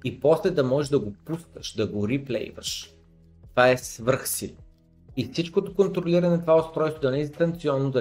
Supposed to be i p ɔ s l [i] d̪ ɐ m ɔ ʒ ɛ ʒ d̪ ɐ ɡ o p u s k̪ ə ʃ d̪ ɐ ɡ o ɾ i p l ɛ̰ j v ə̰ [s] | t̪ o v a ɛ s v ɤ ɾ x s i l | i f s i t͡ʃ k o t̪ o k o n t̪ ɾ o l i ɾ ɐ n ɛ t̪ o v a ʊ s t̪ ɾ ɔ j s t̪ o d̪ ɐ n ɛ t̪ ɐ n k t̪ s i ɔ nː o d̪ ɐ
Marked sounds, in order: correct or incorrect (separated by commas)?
incorrect, incorrect